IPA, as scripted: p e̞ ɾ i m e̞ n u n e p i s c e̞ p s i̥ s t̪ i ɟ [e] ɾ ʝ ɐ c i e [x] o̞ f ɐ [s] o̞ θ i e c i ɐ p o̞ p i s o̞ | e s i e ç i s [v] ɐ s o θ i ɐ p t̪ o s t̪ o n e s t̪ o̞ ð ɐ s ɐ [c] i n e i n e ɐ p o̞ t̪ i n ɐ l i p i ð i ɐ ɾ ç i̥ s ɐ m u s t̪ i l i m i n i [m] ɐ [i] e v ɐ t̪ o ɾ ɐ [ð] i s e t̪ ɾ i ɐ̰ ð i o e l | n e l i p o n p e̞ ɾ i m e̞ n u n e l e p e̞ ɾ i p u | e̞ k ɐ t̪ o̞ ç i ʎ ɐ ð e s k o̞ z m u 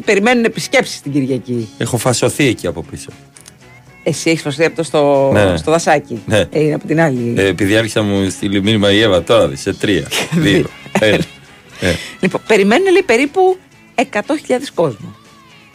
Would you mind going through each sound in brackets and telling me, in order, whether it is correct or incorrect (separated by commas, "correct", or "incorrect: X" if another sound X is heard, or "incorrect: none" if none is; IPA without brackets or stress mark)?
incorrect: i, correct, correct, incorrect: f, correct, correct, correct, correct